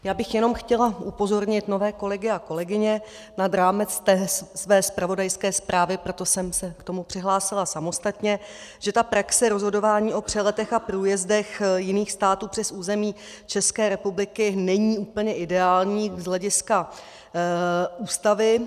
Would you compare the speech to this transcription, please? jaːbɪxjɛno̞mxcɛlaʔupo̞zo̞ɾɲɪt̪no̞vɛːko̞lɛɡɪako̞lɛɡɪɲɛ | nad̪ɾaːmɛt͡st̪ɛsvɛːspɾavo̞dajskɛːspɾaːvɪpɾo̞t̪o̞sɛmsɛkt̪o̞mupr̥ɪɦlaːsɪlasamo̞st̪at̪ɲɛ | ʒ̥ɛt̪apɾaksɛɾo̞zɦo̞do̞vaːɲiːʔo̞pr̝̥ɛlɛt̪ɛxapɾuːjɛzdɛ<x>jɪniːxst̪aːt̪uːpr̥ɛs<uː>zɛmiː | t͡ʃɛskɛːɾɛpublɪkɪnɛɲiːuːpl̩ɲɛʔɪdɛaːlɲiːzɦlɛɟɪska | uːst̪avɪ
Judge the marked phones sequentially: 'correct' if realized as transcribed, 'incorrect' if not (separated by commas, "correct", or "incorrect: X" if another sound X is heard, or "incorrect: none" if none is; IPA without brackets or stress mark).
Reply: correct, correct